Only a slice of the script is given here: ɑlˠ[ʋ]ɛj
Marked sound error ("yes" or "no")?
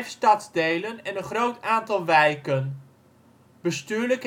no